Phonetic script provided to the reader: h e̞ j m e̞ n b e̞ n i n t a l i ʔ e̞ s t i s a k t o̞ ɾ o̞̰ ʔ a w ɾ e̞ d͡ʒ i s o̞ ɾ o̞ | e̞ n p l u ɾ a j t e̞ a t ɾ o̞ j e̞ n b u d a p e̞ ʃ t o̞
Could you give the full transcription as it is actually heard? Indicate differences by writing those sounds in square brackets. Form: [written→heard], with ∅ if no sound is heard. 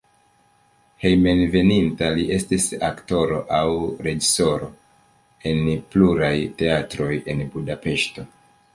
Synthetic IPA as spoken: h e̞ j m e̞ n [b→v] e̞ n i n t a l i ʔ e̞ s t i s a k t o̞ ɾ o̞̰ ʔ a w ɾ e̞ d͡ʒ i s o̞ ɾ o̞ | e̞ n p l u ɾ a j t e̞ a t ɾ o̞ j e̞ n b u d a p e̞ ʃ t o̞